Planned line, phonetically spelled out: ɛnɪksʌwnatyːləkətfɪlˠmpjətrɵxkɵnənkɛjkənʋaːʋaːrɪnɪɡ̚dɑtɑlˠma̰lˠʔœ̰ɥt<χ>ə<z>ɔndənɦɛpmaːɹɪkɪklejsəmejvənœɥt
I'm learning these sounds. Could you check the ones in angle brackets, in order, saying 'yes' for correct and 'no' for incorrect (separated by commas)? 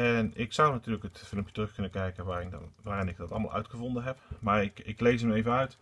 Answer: yes, no